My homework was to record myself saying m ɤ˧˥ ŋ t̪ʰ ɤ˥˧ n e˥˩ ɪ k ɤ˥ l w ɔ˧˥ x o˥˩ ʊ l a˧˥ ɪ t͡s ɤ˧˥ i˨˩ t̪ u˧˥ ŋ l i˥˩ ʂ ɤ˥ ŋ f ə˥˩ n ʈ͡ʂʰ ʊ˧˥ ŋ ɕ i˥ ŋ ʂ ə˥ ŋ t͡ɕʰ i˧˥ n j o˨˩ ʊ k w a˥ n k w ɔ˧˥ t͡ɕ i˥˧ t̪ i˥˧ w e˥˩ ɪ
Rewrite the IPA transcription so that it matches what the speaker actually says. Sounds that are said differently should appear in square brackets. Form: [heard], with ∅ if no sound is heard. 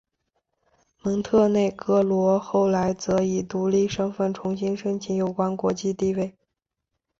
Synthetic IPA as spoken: m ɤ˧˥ ŋ t̪ʰ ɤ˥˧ n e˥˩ ɪ k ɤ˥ l w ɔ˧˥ x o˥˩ ʊ l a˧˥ ɪ t͡s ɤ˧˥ i˨˩ t̪ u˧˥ [∅] l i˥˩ ʂ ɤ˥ ŋ f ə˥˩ n ʈ͡ʂʰ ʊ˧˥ ŋ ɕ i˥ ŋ ʂ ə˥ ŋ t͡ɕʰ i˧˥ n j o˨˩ ʊ k w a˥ n k w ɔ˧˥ t͡ɕ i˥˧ t̪ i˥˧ w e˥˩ ɪ